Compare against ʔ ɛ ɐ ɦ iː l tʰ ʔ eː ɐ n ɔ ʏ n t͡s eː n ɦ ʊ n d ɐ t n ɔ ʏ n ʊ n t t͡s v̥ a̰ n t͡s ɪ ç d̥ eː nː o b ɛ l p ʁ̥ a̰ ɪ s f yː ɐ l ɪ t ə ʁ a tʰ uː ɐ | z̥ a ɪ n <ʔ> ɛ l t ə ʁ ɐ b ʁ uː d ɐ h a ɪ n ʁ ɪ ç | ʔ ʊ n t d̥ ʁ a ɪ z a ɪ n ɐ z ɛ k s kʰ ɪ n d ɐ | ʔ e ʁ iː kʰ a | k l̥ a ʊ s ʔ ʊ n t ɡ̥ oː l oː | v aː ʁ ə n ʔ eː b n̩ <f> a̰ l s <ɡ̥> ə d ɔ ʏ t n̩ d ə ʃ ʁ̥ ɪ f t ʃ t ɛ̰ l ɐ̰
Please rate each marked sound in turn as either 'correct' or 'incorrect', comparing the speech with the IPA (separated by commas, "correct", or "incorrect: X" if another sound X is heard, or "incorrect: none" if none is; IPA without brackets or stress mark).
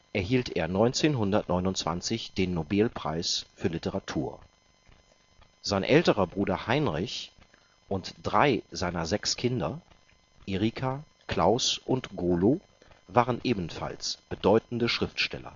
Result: correct, correct, incorrect: b̥